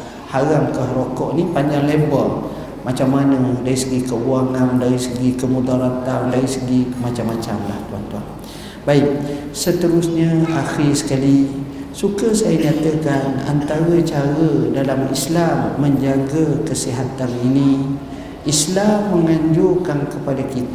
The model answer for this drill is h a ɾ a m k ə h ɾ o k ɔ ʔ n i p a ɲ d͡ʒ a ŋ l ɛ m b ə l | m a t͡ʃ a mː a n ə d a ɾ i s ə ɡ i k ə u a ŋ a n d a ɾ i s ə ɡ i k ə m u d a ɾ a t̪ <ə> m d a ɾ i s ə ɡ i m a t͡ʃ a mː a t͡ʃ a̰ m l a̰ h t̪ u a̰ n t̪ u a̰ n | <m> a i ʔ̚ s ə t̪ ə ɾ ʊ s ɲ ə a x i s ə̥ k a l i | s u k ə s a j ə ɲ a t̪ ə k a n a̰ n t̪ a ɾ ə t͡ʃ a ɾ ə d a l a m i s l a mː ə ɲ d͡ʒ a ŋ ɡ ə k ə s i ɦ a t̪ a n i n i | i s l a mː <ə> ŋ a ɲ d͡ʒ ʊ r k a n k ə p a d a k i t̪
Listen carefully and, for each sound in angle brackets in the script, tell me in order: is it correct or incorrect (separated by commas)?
incorrect, incorrect, correct